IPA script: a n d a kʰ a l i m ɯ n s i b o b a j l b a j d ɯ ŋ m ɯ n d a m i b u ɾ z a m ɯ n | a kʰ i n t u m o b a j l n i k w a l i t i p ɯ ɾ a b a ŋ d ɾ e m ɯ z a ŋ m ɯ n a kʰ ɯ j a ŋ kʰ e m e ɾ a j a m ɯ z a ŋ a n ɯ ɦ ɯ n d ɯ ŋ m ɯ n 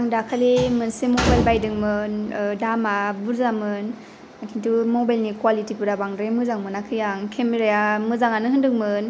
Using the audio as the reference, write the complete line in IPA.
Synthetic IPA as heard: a ŋ d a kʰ a l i m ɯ n s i m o b a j l b a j d ɯ ŋ m ɯ n d a m a b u ɾ z a m ɯ n | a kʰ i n t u m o b a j l n i k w a l i t i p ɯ ɾ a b a ŋ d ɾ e m ɯ z a ŋ m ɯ n a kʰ ɯ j a ŋ kʰ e m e ɾ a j a m ɯ z a ŋ a n ɯ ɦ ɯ n d ɯ ŋ m ɯ n